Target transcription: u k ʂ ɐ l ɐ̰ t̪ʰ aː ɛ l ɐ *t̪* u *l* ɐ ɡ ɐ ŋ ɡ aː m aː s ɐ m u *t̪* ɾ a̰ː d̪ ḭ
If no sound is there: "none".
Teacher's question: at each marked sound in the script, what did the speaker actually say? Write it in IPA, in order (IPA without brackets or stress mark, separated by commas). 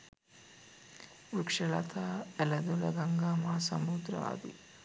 d̪, l, d̪